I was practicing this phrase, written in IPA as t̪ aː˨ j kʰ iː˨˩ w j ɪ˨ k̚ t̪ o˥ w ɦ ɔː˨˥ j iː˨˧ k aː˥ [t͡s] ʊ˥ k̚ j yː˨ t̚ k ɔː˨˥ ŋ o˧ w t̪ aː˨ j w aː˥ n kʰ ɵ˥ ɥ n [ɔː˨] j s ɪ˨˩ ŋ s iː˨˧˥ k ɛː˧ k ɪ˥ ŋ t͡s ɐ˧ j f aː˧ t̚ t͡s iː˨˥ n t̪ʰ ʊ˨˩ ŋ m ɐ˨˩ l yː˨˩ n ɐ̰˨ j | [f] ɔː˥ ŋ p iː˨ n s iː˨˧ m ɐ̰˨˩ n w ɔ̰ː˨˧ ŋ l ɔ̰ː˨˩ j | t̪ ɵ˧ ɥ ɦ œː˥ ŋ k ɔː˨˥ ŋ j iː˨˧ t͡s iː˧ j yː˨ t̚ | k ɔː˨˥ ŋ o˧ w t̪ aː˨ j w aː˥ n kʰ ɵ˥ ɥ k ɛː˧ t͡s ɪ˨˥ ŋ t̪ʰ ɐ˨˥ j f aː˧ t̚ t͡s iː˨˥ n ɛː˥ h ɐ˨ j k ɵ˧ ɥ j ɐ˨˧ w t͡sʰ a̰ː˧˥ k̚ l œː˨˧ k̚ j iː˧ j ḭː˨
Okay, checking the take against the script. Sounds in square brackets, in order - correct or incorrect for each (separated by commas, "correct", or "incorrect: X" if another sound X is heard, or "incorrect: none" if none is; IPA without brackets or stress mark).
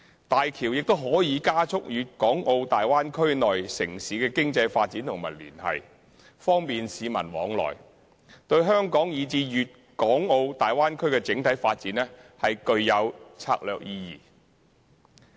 incorrect: t͡sʰ, correct, correct